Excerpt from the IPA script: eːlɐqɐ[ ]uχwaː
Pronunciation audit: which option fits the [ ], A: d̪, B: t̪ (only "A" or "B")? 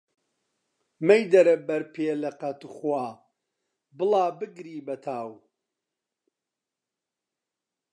B